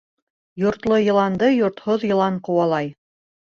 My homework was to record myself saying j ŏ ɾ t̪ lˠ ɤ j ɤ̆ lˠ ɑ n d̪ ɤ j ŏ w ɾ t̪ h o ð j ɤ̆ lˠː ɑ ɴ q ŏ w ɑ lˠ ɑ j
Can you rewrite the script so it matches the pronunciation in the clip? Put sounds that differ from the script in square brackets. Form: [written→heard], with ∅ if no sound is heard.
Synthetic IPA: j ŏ ɾ t̪ lˠ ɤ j ɤ̆ lˠ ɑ n d̪ ɤ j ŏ [w→∅] ɾ t̪ h o ð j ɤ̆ [lˠː→lˠ] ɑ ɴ q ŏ w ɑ lˠ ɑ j

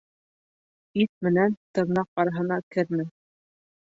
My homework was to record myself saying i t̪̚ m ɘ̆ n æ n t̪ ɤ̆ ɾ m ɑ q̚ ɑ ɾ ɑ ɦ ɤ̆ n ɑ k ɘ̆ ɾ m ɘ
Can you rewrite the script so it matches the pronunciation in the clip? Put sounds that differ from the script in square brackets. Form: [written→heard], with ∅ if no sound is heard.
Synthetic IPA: i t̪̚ m ɘ̆ n æ n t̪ ɤ̆ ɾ [m→n] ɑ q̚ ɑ ɾ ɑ ɦ ɤ̆ n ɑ k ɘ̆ ɾ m ɘ

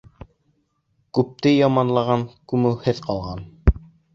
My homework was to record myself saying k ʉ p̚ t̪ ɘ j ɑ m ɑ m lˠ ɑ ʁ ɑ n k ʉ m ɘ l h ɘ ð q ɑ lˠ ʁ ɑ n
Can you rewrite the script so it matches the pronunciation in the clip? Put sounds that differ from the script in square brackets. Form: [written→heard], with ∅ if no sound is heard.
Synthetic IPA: k ʉ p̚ t̪ ɘ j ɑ m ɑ [m→n] lˠ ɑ ʁ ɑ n k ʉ m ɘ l h ɘ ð q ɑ lˠ ʁ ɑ n

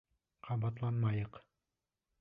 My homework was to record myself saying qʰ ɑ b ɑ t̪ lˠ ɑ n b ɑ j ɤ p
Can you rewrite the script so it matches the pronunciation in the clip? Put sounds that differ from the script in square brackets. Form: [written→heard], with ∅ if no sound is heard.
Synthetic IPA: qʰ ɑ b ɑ t̪ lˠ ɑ n [b→m] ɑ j ɤ [p→q]

